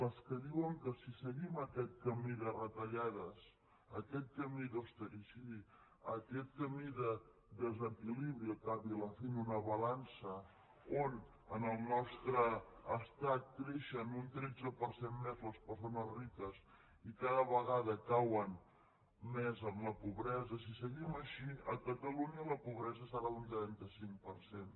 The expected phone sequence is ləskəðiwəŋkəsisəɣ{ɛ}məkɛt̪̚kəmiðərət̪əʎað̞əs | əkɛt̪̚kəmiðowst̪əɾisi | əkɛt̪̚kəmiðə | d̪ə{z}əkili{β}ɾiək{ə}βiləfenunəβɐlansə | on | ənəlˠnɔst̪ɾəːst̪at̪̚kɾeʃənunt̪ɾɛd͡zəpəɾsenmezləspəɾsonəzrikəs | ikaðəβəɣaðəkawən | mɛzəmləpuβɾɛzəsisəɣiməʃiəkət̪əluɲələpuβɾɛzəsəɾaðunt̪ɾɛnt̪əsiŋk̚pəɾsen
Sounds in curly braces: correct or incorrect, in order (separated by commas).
incorrect, correct, correct, incorrect